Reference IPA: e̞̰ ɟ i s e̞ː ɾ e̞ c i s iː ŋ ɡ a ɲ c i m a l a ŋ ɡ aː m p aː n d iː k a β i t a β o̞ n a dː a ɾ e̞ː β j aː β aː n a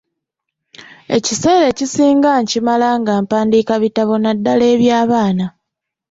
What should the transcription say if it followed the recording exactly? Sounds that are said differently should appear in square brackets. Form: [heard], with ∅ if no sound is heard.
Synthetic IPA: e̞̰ [c] i s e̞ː ɾ e̞ c i s iː ŋ ɡ a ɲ c i m a l a ŋ ɡ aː m p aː n d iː k a β i t a β o̞ n a dː a [l] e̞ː β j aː β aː n a